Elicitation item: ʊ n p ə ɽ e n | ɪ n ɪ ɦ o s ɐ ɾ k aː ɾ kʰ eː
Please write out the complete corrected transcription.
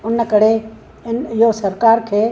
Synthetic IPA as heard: ʊ n k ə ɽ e | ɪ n ɪ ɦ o s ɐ ɾ k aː ɾ kʰ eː